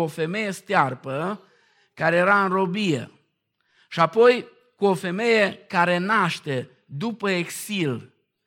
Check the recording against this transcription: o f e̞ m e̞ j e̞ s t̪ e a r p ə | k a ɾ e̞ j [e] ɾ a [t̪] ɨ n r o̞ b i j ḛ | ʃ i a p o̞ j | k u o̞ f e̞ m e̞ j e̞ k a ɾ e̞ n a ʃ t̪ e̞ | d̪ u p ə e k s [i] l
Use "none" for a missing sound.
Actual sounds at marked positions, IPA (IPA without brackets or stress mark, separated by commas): e, none, i